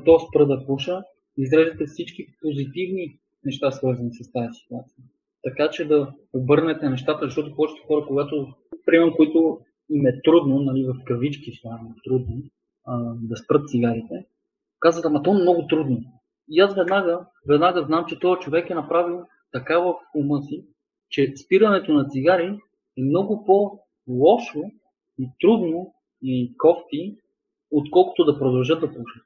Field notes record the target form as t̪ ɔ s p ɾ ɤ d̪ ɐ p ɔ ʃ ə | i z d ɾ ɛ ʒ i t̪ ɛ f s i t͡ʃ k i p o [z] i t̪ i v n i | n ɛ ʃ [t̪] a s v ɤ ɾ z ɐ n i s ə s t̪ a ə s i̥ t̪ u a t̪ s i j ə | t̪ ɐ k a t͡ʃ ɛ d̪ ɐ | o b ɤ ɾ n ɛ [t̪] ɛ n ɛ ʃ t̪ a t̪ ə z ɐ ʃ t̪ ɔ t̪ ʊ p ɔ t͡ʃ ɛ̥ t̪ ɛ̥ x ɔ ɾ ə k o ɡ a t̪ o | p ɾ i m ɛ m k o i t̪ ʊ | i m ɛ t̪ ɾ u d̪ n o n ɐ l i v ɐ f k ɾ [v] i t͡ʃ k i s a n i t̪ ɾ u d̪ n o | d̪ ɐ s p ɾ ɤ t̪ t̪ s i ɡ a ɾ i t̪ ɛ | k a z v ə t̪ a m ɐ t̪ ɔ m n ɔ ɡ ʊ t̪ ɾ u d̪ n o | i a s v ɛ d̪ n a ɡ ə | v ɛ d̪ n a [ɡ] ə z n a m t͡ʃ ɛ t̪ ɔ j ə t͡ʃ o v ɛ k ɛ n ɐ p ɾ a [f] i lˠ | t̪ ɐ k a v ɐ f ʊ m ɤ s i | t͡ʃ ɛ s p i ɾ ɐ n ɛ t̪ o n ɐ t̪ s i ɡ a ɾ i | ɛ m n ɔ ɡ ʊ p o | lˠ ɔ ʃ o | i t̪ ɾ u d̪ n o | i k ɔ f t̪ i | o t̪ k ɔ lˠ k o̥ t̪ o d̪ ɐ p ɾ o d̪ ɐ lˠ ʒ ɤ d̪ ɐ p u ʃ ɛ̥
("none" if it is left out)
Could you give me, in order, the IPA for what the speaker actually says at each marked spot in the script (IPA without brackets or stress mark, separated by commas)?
z, t̪, t̪, v, ɡ, v